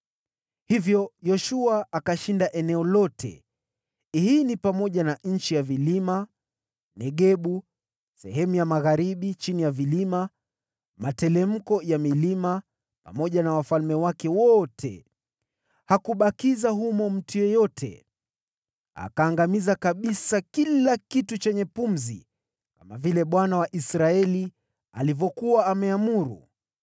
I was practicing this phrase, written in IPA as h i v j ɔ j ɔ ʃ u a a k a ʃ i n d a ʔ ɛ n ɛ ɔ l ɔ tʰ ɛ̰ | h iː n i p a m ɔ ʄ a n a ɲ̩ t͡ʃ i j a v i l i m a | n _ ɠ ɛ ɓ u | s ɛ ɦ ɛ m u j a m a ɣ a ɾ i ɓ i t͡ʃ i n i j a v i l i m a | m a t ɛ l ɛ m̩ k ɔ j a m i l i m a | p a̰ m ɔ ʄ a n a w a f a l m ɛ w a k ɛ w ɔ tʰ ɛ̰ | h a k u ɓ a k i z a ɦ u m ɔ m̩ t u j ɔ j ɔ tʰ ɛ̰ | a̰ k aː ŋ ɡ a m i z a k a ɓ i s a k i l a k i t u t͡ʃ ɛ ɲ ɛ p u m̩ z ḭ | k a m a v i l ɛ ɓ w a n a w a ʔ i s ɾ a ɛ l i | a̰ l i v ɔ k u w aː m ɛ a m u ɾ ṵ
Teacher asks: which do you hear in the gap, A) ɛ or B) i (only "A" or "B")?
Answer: A